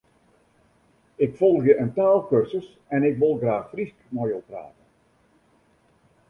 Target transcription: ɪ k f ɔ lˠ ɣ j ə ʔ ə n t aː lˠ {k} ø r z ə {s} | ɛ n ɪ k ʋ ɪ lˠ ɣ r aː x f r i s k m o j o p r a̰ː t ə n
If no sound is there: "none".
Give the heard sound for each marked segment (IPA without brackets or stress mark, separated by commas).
k, s